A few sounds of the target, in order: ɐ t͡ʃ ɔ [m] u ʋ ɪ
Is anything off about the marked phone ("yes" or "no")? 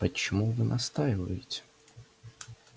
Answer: no